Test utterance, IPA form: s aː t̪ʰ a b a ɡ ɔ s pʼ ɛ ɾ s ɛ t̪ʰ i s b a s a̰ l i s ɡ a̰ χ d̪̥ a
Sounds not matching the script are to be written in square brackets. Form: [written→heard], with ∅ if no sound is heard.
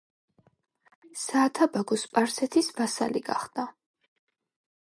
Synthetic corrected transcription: s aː t̪ʰ a b a ɡ ɔ s pʼ [ɛ→a] ɾ s ɛ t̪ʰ i s b a s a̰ l i [s→∅] ɡ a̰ χ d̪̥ a